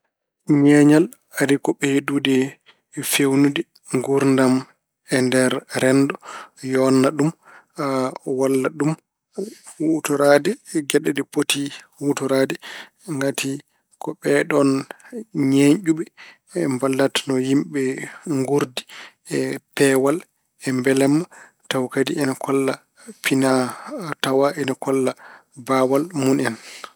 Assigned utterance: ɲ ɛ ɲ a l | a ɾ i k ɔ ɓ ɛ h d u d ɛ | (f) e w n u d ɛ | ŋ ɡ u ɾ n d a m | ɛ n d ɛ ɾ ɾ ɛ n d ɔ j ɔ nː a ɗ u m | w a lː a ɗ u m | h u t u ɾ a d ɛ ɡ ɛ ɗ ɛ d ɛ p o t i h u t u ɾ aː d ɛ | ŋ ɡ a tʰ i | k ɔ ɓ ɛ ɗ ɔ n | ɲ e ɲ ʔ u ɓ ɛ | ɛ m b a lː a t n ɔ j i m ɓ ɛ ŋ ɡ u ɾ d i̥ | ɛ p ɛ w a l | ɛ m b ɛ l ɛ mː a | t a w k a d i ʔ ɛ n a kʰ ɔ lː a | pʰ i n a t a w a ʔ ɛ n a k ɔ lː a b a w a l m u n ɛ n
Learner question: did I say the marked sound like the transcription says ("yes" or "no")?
yes